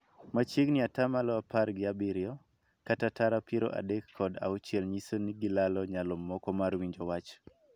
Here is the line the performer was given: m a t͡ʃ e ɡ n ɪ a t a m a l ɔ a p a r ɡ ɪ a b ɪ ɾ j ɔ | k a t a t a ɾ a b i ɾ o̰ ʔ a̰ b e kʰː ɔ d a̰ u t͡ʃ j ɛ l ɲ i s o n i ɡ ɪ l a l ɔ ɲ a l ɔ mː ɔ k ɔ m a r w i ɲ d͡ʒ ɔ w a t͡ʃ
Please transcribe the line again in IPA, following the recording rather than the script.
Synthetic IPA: m a t͡ʃ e ɡ n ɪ a t a m a l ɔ a p a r ɡ ɪ a b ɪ ɾ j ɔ | k a t a t a ɾ a p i ɾ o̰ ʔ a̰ d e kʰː ɔ d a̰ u t͡ʃ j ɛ l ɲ i s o n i ɡ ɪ l a l ɔ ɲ a l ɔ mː ɔ k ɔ m a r w i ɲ d͡ʒ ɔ w a t͡ʃ